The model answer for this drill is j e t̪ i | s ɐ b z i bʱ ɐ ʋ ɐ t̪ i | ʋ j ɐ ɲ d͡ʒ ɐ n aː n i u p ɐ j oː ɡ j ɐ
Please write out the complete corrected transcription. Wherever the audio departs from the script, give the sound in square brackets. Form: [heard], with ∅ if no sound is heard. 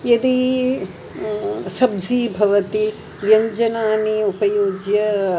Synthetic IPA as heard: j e [d̪] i | s ɐ b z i bʱ ɐ ʋ ɐ t̪ i | ʋ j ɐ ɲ d͡ʒ ɐ n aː n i u p ɐ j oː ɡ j ɐ